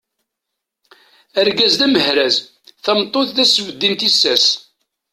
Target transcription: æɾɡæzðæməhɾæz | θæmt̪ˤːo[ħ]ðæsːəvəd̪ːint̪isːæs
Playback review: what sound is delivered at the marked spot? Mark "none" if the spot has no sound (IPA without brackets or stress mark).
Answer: θ